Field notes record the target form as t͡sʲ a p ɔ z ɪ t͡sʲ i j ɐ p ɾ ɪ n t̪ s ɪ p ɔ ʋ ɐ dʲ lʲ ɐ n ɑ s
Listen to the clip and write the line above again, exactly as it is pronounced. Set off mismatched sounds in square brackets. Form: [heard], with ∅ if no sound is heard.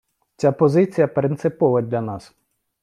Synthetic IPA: t͡sʲ a p ɔ z ɪ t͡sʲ i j ɐ p ɾ ɪ n t̪ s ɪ p ɔ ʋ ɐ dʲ lʲ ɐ n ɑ s